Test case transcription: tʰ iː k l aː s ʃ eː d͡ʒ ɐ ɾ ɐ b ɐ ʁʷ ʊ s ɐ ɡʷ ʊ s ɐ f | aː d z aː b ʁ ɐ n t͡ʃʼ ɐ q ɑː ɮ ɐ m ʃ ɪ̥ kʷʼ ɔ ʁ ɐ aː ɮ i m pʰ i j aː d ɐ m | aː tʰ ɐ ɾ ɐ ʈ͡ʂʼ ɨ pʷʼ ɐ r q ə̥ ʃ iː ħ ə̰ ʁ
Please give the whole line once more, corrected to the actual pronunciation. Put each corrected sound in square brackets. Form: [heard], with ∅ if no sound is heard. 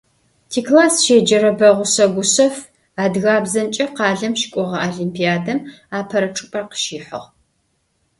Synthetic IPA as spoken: tʰ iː k l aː s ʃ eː d͡ʒ ɐ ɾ ɐ b ɐ ʁʷ ʊ s ɐ ɡʷ ʊ s ɐ f | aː d [ɣ] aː b [z] ɐ n t͡ʃʼ ɐ q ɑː ɮ ɐ m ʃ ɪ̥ kʷʼ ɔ ʁ ɐ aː ɮ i m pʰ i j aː d ɐ m | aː [pʰ] ɐ ɾ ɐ ʈ͡ʂʼ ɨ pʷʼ ɐ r q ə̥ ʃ iː ħ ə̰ ʁ